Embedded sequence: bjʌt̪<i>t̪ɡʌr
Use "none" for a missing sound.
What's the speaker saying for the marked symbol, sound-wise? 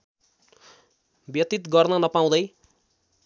i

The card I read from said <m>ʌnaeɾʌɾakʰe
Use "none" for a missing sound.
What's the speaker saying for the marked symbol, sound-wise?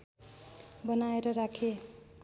b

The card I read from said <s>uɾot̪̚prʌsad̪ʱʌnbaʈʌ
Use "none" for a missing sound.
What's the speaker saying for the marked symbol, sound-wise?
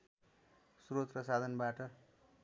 s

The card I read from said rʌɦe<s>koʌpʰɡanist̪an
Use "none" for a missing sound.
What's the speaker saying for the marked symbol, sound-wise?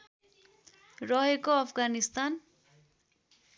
none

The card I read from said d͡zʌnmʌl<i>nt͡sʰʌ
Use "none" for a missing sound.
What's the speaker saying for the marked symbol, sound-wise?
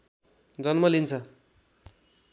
i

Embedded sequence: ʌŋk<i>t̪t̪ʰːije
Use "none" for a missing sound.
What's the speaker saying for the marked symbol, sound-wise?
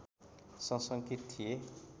i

